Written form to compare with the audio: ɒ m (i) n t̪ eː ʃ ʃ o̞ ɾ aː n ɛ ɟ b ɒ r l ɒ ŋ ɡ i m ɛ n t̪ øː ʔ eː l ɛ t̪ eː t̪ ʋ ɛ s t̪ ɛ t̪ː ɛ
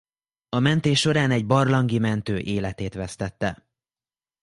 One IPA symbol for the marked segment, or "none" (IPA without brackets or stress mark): ɛ